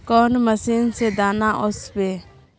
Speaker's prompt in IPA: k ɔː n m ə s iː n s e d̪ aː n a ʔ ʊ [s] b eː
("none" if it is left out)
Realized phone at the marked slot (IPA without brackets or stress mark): s